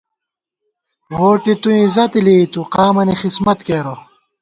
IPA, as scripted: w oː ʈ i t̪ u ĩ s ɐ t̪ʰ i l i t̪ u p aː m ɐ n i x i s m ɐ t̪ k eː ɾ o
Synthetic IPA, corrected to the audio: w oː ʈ i t̪ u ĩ z ɐ t̪ i l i t̪ u q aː m ɐ n i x i s m ɐ t̪ k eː ɾ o

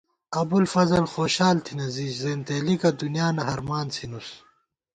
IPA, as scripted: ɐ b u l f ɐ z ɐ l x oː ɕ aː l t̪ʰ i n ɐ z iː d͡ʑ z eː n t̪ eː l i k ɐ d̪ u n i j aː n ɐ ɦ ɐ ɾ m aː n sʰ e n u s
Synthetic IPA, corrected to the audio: ɐ b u l f ɐ z ɐ l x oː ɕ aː l t̪ʰ i n ɐ z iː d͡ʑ z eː n t̪ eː l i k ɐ d̪ u n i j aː n ɐ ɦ ɐ ɾ m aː n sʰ i n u s

